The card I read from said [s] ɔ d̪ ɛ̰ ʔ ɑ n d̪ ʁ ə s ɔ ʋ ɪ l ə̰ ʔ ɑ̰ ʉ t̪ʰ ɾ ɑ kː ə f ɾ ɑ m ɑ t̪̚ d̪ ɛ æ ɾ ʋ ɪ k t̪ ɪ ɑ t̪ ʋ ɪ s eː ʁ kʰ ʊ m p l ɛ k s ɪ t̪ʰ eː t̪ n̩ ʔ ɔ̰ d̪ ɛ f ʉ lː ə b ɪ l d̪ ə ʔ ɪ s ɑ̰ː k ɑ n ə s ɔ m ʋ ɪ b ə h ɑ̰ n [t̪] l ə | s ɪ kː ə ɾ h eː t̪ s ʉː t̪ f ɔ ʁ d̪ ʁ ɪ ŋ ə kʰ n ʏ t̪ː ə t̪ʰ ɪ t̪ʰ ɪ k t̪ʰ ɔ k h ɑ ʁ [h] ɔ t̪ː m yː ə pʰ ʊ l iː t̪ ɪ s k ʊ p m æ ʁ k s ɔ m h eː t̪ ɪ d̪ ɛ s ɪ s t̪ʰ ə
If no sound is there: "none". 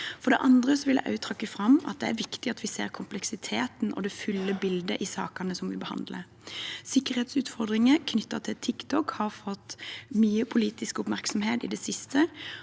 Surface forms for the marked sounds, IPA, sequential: f, d̪, f

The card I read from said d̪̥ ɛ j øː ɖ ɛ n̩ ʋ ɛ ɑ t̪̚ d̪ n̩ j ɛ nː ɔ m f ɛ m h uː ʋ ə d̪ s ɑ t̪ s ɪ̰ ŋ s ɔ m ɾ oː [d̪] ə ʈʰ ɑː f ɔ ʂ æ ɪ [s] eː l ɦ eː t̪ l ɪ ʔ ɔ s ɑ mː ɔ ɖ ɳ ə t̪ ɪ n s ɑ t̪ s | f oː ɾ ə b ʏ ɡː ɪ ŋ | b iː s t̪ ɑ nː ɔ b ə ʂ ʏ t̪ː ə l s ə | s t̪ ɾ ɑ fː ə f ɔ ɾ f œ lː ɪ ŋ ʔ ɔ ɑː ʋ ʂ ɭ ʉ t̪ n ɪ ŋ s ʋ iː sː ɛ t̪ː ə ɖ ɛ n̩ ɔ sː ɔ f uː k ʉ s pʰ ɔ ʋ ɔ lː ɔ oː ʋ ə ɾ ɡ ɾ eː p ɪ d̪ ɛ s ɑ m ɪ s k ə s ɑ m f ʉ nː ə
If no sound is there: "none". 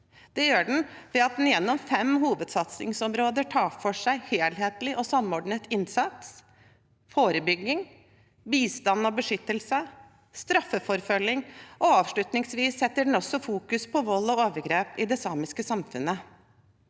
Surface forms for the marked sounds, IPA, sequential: d̪, h

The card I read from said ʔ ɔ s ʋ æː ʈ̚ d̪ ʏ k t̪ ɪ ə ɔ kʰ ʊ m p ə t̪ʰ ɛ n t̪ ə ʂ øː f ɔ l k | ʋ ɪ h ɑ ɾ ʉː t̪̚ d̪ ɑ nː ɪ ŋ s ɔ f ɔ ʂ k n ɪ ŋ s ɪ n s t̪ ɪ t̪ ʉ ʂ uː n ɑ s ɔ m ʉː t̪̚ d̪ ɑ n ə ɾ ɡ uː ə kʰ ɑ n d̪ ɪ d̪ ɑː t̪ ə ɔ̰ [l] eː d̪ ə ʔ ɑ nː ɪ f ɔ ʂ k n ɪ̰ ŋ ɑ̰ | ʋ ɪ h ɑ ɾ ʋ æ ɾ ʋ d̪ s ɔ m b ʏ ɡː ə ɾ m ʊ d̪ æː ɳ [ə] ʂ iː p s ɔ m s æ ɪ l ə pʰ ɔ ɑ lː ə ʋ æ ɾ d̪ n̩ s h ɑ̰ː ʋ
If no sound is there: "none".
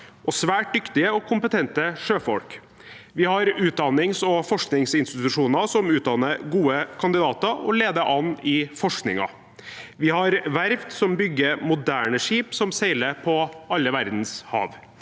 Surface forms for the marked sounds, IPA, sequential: l, ə

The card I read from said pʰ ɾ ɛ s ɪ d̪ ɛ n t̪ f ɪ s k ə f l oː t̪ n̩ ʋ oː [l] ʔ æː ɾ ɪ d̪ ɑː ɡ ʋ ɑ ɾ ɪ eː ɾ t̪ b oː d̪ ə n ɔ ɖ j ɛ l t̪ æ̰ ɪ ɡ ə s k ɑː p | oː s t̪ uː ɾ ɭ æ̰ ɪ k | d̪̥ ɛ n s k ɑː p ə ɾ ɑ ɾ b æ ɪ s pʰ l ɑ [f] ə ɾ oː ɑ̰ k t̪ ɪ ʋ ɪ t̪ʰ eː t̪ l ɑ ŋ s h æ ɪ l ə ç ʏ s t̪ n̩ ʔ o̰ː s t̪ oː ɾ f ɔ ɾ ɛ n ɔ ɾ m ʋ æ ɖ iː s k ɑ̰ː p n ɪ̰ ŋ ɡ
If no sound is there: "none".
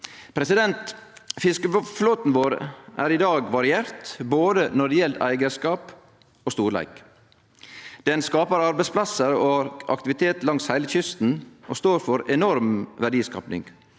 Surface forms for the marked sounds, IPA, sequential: ɾ, s

